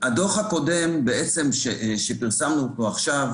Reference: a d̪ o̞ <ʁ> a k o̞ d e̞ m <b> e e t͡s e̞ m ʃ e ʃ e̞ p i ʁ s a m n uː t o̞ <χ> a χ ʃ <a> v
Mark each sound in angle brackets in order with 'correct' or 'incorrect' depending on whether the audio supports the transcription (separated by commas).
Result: incorrect, correct, incorrect, correct